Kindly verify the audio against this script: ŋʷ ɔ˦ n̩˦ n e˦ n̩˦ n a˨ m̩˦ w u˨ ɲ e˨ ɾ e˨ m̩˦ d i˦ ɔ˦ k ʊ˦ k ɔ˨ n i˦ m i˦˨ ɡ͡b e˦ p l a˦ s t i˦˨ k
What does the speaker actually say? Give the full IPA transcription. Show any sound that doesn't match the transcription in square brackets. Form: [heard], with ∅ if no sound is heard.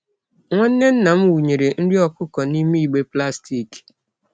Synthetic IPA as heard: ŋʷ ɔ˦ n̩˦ n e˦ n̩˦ n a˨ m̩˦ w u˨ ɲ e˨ ɾ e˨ [n̩˦] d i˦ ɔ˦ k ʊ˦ k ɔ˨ n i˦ m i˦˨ ɡ͡b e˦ p l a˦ s t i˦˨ k